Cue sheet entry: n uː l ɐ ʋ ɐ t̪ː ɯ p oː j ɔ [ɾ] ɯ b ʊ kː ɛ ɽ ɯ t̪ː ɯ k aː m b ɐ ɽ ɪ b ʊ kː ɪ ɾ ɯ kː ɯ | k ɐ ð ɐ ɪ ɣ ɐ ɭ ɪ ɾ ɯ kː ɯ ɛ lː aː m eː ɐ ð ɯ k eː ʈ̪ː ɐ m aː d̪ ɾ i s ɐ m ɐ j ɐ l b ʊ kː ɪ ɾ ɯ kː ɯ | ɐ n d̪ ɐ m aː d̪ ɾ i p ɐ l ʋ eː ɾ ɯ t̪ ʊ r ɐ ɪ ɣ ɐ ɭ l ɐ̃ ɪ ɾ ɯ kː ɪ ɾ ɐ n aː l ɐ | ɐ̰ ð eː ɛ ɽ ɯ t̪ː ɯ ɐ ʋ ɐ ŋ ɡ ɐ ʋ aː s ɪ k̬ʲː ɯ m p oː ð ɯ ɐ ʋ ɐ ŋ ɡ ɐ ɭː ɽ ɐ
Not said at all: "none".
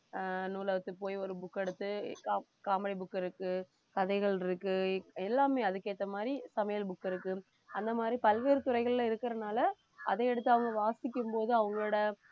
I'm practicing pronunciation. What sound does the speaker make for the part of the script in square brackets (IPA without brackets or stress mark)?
ɾ